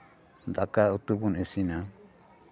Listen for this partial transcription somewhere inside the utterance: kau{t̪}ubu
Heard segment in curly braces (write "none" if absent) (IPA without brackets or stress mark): t̪